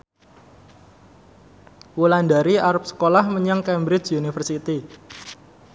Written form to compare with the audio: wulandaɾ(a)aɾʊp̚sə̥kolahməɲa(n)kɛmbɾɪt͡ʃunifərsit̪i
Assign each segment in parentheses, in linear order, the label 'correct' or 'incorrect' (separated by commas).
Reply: incorrect, incorrect